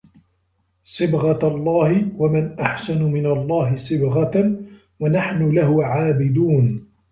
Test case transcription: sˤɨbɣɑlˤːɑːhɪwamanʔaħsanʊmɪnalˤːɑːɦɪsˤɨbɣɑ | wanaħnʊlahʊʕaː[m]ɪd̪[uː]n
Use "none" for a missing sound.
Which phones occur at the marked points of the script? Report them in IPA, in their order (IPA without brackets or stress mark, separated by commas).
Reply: b, uː